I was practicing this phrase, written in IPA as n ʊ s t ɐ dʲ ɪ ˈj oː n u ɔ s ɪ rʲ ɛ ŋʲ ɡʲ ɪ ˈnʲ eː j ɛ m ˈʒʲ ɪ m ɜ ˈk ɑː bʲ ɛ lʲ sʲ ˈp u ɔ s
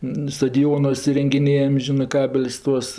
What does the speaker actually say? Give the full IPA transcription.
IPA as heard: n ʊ s t ɐ dʲ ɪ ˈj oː n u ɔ s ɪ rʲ ɛ ŋʲ ɡʲ ɪ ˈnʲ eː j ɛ m ˈʒʲ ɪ n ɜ ˈk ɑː bʲ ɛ lʲ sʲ ˈt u ɔ s